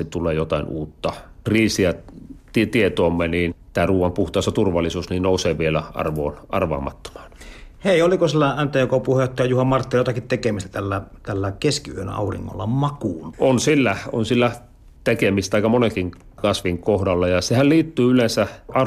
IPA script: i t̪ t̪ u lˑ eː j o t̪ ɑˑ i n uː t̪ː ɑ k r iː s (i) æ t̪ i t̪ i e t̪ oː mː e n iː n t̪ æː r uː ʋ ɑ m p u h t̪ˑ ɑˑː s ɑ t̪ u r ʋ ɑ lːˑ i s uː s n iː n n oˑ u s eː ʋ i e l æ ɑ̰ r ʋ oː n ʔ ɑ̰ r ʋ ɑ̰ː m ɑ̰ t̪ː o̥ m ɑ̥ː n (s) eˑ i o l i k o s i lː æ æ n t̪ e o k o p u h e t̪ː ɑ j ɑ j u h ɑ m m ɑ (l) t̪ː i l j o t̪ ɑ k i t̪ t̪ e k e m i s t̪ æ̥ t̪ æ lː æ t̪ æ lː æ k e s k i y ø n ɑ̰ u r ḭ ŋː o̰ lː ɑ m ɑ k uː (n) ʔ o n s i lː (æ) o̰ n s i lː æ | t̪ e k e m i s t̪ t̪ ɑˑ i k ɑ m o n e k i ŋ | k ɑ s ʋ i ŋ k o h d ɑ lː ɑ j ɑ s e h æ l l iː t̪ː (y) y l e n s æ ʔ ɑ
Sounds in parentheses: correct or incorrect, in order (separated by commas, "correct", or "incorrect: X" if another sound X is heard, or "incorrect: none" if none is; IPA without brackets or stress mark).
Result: correct, incorrect: h, incorrect: r, correct, correct, incorrect: yː